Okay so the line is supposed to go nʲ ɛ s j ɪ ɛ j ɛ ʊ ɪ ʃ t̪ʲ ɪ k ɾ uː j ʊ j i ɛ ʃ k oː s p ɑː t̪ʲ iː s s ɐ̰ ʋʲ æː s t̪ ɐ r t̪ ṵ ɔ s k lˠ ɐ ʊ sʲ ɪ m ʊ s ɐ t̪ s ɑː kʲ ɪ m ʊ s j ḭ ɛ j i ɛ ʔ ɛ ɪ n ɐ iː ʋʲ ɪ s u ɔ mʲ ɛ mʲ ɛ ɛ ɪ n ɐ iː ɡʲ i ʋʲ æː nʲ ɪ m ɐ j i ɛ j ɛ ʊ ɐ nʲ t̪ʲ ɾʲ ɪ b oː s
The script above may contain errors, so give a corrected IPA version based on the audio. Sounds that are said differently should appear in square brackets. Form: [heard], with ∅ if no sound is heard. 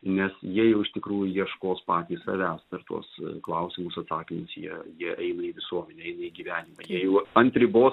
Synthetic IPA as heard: nʲ ɛ s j [i] ɛ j ɛ ʊ ɪ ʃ t̪ʲ ɪ k ɾ uː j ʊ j i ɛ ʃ k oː s p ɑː t̪ʲ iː s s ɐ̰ ʋʲ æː s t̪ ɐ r t̪ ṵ ɔ s k lˠ ɐ ʊ sʲ ɪ m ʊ s ɐ t̪ s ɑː kʲ ɪ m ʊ s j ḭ ɛ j i ɛ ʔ ɛ ɪ n ɐ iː ʋʲ ɪ s u ɔ mʲ ɛ [nʲ] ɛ ɛ ɪ n ɐ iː ɡʲ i ʋʲ æː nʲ ɪ m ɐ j i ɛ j ɛ ʊ ɐ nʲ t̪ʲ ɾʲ ɪ b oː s